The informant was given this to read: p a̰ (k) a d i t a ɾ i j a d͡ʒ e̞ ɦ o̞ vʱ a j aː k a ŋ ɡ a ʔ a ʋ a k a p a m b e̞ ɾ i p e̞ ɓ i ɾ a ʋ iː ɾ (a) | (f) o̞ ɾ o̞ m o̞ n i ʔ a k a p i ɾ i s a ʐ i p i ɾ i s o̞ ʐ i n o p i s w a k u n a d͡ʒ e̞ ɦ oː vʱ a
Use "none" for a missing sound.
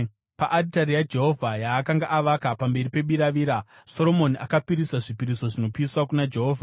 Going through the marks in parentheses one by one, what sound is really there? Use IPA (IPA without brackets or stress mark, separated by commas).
ʔ, a, s